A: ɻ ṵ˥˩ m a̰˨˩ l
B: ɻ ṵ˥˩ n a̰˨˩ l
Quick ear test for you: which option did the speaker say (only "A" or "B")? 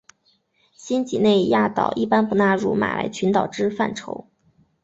A